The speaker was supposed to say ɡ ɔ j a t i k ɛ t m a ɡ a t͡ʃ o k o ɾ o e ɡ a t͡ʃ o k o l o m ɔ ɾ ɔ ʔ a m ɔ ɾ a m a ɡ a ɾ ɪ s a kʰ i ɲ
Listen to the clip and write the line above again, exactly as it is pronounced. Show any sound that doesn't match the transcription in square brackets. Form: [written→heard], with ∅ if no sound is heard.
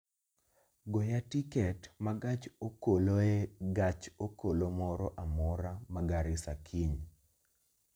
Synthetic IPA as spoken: ɡ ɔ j a t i k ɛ t m a ɡ a t͡ʃ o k o [ɾ→l] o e ɡ a t͡ʃ o k o l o m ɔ ɾ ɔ ʔ a m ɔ ɾ a m a ɡ a ɾ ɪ s a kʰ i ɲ